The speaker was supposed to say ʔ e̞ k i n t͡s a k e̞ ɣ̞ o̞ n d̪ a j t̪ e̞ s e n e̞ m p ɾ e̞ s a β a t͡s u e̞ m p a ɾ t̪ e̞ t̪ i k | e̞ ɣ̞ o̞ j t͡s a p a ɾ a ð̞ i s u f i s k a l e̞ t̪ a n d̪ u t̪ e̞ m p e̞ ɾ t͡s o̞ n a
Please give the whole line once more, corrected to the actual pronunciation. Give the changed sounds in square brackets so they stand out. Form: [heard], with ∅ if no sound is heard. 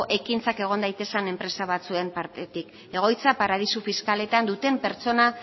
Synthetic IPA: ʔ e̞ k i n t͡s a k e̞ ɣ̞ o̞ n d̪ a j t̪ e̞ s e n e̞ m p ɾ e̞ s a β a t͡s u e̞ m p a ɾ t̪ e̞ t̪ i k | e̞ ɣ̞ o̞ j t͡s a p a ɾ a ð̞ i s u f i s k a l e̞ t̪ a n d̪ u t̪ e̞ m p e̞ ɾ t͡s o̞ n a